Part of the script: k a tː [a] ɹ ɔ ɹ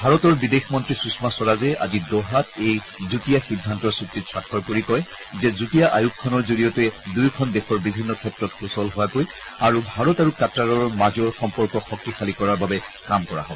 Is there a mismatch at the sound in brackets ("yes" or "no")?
no